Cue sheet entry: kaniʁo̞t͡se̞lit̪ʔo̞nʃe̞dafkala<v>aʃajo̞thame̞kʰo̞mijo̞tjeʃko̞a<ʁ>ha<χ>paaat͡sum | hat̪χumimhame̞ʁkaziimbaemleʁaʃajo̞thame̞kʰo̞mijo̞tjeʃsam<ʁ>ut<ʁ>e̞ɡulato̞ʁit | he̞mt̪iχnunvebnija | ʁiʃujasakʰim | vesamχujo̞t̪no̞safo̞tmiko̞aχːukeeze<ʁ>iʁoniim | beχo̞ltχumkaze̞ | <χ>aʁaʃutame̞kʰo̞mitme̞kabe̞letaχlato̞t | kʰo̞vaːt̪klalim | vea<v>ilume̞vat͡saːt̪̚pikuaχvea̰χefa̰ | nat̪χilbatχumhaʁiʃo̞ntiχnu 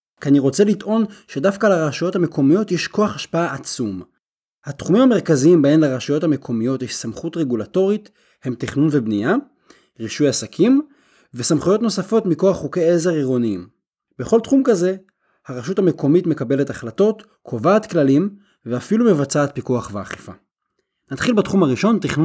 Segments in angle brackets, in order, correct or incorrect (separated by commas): incorrect, incorrect, incorrect, incorrect, correct, correct, incorrect, incorrect